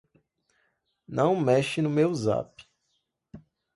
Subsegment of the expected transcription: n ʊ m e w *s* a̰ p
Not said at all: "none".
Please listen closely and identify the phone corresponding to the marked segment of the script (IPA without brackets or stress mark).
z